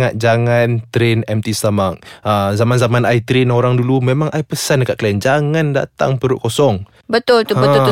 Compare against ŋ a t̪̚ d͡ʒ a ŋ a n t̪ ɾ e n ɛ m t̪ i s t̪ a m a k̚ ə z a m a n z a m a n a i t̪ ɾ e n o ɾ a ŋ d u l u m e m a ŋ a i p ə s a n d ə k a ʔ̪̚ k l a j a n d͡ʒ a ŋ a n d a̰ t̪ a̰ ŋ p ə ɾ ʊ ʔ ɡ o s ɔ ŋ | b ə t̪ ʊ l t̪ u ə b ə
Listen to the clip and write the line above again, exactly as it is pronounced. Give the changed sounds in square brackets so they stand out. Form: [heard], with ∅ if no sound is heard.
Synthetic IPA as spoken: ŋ a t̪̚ d͡ʒ a ŋ a n t̪ ɾ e n ɛ m t̪ i s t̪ a m a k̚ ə z a m a n z a m a n a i t̪ ɾ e n o ɾ a ŋ d u l u m e m a ŋ a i p ə s a n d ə k a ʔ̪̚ k l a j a n d͡ʒ a ŋ a n d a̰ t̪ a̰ ŋ p ə ɾ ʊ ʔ [k] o s ɔ ŋ | b ə t̪ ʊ l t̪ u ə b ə